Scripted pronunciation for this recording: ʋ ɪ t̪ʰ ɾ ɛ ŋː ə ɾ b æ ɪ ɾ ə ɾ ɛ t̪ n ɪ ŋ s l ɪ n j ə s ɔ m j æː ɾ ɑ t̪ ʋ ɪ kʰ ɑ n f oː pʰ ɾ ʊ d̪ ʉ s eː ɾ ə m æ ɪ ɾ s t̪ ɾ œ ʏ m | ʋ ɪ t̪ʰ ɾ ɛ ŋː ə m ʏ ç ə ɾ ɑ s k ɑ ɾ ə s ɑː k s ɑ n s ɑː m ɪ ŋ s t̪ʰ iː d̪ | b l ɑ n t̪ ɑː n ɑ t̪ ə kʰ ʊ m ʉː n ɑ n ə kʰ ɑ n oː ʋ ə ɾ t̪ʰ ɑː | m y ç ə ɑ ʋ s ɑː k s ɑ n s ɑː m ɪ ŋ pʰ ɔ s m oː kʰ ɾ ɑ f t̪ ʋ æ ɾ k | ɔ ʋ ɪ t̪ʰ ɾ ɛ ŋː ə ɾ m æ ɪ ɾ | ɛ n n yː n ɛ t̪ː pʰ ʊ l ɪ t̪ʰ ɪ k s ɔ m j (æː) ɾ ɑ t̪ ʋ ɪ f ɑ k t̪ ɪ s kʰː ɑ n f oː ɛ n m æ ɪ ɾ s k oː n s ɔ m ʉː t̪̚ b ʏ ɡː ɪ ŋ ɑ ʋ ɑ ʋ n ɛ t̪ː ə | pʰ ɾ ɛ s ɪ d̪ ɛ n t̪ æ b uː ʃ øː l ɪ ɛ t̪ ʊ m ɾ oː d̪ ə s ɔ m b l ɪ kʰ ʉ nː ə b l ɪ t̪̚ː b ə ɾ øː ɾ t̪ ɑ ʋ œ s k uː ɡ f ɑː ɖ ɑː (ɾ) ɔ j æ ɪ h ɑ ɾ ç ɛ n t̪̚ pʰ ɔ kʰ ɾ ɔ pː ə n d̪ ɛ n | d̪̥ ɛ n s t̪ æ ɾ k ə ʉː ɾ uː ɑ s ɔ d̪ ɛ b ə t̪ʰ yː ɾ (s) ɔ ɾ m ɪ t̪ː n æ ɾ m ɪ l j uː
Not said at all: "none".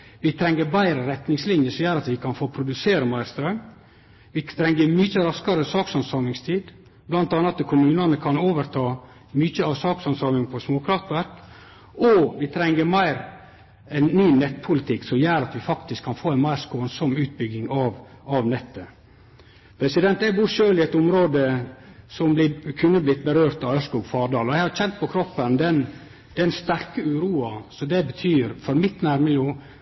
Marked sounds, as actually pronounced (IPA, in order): æː, l, f

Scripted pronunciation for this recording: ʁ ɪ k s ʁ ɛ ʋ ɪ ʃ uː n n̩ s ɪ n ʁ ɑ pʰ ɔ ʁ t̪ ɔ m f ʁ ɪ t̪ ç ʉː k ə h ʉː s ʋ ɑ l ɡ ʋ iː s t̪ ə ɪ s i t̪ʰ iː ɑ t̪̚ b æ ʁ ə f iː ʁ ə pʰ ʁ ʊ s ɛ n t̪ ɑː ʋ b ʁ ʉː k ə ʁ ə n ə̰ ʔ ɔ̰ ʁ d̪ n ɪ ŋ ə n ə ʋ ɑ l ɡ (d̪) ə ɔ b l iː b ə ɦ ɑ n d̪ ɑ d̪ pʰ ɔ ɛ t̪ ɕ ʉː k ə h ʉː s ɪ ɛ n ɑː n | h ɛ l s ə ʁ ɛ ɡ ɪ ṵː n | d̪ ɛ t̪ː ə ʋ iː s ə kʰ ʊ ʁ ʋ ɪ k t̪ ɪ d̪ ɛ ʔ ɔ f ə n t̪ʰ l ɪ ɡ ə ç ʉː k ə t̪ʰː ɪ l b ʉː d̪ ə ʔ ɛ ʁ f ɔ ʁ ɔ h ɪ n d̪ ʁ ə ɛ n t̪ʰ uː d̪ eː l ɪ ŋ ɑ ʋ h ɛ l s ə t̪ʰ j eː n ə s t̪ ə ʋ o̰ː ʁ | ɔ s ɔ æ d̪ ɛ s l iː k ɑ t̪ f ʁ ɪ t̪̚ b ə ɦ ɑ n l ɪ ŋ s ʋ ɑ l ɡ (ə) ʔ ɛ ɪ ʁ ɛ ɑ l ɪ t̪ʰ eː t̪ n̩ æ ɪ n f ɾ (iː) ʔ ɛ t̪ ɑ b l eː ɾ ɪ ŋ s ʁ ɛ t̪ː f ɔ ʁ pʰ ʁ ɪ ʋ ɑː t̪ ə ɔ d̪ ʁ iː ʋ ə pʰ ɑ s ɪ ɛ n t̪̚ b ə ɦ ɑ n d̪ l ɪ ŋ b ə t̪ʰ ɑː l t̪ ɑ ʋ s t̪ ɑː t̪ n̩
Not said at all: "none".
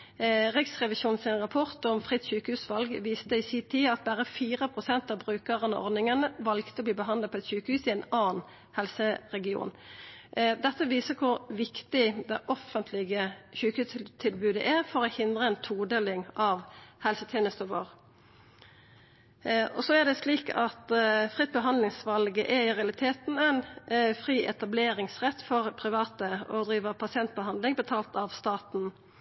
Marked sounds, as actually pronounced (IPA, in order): t̪, ə, iː

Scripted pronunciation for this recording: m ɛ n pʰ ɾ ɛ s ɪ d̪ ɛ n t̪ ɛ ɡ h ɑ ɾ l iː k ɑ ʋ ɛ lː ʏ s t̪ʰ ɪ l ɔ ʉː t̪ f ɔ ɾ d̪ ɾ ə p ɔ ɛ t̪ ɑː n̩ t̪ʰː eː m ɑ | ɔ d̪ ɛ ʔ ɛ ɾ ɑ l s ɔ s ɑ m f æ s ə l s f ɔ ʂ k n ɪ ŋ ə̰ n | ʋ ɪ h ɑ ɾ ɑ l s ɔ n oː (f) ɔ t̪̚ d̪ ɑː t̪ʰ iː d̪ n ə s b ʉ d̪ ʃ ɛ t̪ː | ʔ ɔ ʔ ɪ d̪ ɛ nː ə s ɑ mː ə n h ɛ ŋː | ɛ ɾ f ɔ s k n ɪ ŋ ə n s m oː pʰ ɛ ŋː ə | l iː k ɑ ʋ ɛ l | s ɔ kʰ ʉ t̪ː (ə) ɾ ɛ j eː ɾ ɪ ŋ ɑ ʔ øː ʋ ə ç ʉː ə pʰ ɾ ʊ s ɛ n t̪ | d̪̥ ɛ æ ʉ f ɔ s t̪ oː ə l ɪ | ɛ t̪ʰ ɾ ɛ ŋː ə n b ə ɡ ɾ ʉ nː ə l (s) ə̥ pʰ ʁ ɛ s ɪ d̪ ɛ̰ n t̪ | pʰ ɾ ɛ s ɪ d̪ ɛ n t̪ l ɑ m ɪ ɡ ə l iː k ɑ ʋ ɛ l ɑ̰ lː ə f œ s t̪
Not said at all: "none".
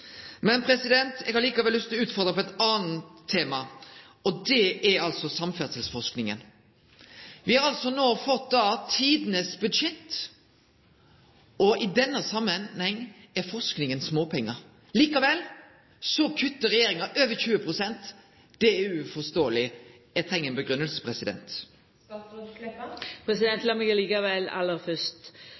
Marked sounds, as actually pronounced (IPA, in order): f, ə, s

